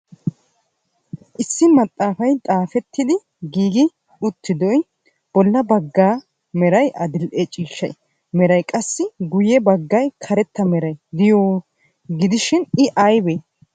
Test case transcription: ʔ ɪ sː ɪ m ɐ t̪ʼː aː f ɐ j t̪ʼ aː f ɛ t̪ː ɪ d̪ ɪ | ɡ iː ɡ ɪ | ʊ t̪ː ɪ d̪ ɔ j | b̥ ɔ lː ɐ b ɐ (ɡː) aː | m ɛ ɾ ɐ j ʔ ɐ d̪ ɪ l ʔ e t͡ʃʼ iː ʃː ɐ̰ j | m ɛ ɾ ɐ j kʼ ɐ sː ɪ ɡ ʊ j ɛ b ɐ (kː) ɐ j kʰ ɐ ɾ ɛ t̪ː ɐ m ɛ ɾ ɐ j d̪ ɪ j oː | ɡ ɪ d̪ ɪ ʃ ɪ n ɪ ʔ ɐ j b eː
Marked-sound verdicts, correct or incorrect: correct, incorrect: ɡː

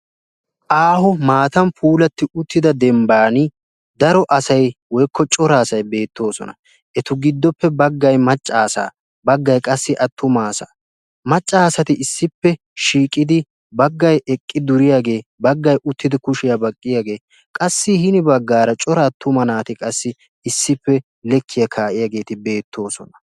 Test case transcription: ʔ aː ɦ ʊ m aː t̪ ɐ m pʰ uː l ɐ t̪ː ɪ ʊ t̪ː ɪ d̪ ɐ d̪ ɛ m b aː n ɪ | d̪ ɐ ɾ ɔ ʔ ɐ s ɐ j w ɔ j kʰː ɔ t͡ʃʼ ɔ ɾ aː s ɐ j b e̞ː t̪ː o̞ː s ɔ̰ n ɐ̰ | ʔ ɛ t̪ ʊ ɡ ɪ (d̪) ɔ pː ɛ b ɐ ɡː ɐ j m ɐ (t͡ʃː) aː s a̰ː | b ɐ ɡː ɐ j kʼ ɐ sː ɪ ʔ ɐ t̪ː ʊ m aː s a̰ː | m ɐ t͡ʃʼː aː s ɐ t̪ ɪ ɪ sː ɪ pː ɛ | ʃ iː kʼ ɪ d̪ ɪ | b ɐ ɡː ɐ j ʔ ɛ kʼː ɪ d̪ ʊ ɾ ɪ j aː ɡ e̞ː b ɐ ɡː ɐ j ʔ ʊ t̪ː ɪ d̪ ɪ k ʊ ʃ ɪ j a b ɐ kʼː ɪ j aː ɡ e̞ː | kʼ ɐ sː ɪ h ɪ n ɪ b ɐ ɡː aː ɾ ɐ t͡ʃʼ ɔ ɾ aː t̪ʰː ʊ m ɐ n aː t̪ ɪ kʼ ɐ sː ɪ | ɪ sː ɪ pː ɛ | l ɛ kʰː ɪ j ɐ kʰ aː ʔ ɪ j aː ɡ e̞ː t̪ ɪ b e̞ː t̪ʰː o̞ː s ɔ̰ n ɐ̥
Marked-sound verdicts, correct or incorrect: incorrect: d̪ː, incorrect: t͡ʃʼː

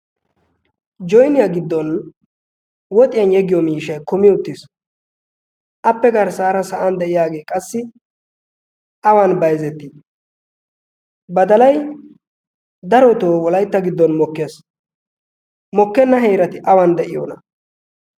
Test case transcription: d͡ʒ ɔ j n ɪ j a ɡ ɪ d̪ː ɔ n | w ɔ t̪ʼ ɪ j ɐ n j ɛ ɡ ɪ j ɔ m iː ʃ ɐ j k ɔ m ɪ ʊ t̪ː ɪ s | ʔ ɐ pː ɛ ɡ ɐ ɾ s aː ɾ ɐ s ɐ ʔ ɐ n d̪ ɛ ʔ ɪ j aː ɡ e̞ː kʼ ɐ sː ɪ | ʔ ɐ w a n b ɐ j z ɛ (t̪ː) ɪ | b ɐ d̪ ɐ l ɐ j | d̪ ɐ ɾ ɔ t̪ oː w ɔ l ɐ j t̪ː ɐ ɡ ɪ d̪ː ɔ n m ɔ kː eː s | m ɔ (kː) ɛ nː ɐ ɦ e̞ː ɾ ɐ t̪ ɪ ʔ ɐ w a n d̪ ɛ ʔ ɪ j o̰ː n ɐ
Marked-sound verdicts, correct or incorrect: correct, correct

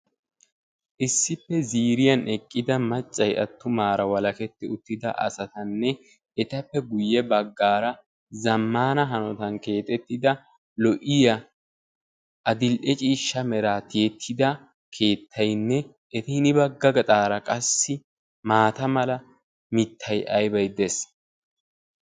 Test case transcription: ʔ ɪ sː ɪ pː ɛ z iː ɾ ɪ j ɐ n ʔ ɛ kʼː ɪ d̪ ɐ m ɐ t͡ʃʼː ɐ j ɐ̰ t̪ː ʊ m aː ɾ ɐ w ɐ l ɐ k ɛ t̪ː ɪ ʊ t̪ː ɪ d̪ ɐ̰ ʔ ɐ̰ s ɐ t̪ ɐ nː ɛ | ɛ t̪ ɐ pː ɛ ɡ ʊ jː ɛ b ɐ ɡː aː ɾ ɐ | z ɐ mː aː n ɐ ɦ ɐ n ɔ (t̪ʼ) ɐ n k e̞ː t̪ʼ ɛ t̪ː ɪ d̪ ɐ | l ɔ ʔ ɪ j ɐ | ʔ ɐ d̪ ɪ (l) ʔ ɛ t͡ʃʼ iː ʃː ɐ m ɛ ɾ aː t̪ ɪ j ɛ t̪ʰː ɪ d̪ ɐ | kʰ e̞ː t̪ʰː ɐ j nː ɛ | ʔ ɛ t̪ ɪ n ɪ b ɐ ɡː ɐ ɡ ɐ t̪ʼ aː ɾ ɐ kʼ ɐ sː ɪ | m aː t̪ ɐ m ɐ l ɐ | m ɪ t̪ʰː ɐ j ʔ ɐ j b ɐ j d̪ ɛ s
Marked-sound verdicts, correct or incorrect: incorrect: t̪, correct

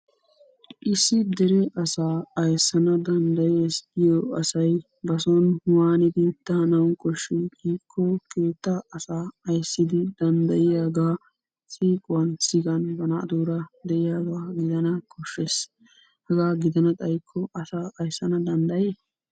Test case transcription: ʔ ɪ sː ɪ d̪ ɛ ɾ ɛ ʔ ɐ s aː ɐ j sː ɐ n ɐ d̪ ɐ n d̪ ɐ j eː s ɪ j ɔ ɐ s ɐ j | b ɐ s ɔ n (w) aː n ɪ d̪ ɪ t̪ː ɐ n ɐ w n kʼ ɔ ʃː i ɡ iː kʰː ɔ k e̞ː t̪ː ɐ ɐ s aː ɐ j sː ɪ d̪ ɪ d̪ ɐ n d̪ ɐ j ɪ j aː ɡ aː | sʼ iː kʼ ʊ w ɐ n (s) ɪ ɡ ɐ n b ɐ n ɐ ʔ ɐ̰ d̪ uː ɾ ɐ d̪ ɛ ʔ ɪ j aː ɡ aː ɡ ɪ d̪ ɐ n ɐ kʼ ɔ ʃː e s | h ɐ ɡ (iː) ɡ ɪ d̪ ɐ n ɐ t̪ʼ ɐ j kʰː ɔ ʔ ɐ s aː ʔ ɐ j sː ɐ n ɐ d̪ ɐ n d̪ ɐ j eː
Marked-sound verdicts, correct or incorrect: correct, correct, incorrect: aː

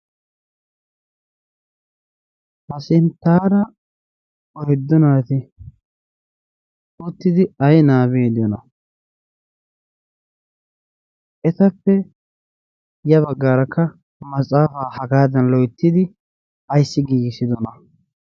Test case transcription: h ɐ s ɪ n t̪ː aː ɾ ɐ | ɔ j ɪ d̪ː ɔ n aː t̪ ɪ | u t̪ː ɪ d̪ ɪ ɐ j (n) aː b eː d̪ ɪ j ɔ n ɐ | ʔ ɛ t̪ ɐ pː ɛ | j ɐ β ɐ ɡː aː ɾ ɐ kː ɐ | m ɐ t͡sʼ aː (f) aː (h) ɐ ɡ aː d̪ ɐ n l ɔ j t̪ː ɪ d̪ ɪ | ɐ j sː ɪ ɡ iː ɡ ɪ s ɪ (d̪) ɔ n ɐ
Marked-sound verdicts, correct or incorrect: correct, correct, correct, correct

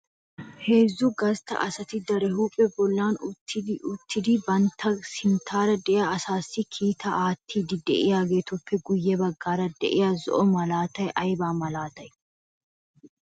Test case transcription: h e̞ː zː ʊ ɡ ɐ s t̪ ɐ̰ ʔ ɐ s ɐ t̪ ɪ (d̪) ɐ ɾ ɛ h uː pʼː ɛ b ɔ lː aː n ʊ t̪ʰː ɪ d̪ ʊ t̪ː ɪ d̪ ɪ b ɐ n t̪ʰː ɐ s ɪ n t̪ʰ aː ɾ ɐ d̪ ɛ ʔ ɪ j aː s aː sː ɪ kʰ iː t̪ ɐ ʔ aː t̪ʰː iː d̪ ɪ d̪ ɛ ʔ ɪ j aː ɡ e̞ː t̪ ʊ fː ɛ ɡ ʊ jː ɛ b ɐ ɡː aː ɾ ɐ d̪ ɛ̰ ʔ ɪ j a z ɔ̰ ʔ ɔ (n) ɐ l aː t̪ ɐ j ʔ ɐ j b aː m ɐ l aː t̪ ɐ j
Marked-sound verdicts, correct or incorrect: correct, incorrect: m

